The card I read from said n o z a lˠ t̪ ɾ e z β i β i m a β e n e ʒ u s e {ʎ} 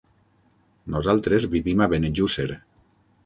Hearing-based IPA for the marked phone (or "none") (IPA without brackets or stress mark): ɾ